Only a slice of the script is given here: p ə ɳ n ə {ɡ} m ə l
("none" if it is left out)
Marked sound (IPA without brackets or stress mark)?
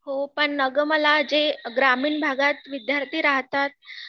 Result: ɡ